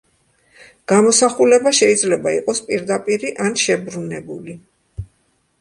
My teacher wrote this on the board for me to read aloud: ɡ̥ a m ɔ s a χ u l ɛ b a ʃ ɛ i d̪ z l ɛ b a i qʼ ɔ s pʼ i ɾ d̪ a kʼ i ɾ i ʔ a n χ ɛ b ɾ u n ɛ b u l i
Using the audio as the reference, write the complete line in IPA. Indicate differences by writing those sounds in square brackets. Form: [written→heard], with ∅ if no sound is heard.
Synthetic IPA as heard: ɡ̥ a m ɔ s a χ u l ɛ b a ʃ ɛ i d̪ z l ɛ b a i qʼ ɔ s pʼ i ɾ d̪ a [kʼ→pʼ] i ɾ i ʔ a n [χ→ʃ] ɛ b ɾ u n ɛ b u l i